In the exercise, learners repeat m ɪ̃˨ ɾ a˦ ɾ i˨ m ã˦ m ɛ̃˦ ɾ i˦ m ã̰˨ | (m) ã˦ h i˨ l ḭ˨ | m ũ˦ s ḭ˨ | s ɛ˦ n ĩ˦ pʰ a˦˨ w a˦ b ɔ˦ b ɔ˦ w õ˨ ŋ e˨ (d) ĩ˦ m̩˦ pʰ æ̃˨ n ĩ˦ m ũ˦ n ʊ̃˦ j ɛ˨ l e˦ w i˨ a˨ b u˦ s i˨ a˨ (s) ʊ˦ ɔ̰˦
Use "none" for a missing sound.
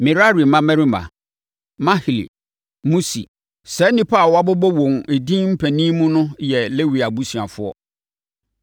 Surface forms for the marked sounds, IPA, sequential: m, d, f

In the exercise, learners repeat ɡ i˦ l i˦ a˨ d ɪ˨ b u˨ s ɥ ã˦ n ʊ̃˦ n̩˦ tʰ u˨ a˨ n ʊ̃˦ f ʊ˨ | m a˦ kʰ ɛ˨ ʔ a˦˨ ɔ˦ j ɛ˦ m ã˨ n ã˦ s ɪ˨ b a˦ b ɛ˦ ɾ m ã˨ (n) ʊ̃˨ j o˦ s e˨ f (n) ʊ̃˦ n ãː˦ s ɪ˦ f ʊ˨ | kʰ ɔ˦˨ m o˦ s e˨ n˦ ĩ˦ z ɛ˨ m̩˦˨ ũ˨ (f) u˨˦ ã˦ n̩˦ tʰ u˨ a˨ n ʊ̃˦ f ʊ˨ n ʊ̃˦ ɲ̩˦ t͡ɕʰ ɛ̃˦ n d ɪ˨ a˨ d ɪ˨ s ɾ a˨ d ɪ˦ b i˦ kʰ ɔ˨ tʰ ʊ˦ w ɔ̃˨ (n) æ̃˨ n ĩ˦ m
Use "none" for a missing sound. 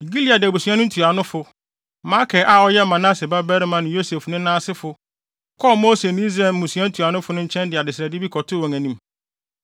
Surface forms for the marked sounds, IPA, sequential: n, n, s, ŋ

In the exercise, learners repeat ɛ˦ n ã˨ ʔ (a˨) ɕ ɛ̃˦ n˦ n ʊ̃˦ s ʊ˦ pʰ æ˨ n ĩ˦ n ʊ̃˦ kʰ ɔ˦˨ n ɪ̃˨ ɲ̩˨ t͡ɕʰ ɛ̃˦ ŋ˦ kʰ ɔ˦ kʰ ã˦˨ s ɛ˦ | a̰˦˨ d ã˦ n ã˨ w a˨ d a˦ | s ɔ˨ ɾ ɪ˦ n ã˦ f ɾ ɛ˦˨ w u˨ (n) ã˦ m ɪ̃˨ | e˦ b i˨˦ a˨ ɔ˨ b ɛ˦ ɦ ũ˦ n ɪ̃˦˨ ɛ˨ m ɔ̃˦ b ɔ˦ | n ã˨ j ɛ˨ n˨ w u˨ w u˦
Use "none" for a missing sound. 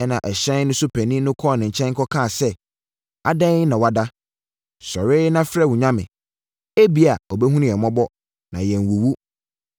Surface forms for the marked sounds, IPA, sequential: ɛ˨, ɲ

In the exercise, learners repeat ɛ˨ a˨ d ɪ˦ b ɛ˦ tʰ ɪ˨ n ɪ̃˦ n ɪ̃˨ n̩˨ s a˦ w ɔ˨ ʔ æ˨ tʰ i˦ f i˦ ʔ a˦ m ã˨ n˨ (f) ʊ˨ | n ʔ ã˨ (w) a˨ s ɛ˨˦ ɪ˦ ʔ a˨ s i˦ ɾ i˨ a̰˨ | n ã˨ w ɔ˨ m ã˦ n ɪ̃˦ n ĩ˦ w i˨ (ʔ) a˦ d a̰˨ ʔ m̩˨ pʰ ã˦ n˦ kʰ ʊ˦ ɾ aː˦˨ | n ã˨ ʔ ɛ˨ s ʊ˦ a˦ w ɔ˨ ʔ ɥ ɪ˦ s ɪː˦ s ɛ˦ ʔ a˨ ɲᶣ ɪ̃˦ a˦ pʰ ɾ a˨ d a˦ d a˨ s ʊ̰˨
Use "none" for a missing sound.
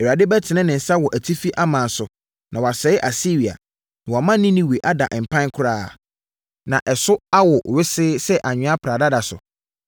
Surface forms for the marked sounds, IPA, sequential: s, w, ʔ

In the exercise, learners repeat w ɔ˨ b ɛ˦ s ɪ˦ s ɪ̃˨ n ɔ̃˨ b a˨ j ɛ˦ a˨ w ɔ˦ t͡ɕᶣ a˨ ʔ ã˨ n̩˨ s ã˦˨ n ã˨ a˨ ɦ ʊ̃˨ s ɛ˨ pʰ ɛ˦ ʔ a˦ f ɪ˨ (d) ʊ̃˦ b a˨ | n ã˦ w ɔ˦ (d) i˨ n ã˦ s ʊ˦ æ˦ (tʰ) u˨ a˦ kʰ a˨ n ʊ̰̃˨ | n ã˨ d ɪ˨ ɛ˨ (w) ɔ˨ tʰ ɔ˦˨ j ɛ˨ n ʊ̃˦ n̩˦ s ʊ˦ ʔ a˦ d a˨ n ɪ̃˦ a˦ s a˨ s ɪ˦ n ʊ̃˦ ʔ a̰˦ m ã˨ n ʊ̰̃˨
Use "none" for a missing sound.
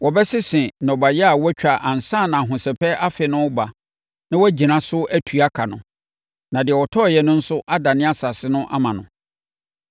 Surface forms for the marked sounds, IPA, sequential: n, d͡ʑ, tʰ, w

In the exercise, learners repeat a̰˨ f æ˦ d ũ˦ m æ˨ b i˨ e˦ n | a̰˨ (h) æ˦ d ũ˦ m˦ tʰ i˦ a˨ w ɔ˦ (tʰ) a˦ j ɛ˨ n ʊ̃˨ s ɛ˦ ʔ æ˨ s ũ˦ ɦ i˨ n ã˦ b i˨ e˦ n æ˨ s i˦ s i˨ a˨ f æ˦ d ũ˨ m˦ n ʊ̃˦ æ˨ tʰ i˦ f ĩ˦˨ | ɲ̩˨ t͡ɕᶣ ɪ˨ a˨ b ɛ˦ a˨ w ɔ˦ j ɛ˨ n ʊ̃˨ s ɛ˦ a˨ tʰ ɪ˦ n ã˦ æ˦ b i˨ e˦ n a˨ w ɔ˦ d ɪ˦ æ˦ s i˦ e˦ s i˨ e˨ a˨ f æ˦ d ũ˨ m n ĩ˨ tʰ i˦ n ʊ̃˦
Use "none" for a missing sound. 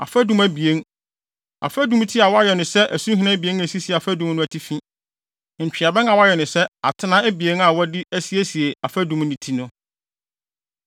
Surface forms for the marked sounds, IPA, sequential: f, none

